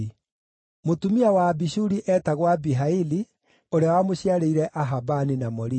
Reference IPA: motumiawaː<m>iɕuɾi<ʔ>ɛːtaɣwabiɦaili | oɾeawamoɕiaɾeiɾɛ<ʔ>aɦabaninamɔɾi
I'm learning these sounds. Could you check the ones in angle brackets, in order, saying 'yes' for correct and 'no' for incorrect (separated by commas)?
no, yes, yes